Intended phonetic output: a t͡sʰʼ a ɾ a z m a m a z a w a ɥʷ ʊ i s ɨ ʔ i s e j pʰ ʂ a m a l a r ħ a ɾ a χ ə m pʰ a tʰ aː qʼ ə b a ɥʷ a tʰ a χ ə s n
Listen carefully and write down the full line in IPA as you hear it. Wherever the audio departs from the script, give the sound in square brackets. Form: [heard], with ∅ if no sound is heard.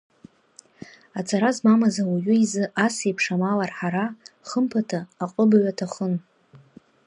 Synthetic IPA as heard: a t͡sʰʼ a ɾ a z m a m a z a w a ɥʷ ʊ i [z] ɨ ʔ [a] s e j pʰ ʂ a m a l a r ħ a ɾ a χ ə m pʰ a tʰ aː qʼ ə b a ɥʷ a tʰ a χ ə [∅] n